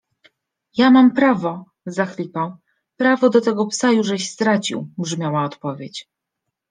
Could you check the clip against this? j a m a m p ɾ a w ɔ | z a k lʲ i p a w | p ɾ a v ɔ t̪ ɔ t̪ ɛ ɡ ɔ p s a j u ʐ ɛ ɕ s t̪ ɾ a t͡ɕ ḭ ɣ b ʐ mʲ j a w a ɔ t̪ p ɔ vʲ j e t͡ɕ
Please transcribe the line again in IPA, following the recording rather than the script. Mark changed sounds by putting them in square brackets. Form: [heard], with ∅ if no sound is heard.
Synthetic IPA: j a m a m p ɾ a [v] ɔ | z a [x] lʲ i p a w | p ɾ a v ɔ [d̪] ɔ t̪ ɛ ɡ ɔ p s a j u ʐ ɛ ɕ s t̪ ɾ a t͡ɕ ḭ [w] b ʐ mʲ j a w a ɔ t̪ p ɔ vʲ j e t͡ɕ